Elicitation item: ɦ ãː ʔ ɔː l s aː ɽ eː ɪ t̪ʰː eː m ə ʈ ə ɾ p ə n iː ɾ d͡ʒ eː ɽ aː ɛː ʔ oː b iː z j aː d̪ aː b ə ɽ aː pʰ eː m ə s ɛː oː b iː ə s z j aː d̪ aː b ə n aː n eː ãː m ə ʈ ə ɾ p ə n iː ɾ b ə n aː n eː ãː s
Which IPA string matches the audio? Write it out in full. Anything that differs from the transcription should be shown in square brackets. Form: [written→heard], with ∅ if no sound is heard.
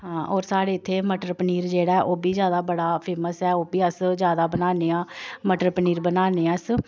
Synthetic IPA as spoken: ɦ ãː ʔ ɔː [l→ɾ] s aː ɽ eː ɪ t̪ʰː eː m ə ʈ ə ɾ p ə n iː ɾ d͡ʒ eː ɽ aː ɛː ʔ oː b iː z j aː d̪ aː b ə ɽ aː pʰ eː m ə s ɛː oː b iː ə s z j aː d̪ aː b ə n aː n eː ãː m ə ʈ ə ɾ p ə n iː ɾ b ə n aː n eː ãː s